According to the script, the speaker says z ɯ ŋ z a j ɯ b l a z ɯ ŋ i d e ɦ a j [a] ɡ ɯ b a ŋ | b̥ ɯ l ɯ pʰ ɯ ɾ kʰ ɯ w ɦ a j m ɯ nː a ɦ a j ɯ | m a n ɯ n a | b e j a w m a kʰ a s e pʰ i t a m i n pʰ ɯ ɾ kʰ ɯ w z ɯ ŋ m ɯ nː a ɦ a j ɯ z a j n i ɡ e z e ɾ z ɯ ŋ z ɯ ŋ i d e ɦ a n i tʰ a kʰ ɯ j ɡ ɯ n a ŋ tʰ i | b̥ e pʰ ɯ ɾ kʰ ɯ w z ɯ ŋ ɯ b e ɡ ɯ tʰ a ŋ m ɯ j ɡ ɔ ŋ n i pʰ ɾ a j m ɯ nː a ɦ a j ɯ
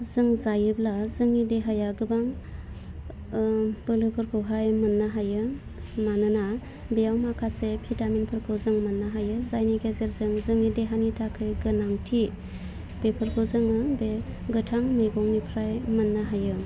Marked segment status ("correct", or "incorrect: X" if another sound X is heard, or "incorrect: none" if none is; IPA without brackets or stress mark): correct